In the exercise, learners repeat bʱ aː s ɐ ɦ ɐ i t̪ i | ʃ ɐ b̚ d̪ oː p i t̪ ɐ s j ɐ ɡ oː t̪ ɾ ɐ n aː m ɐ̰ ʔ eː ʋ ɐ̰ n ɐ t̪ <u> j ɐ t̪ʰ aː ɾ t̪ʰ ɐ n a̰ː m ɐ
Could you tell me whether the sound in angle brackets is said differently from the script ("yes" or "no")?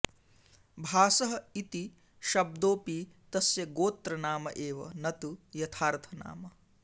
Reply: no